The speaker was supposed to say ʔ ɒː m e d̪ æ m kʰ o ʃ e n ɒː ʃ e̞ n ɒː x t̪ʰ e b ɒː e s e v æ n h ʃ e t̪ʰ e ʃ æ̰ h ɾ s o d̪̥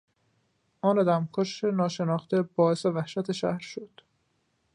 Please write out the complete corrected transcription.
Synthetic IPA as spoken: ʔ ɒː n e d̪ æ m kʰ o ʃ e n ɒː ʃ e̞ n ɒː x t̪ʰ e b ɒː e s e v æ h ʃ æ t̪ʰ e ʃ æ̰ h ɾ ʃ o d̪̥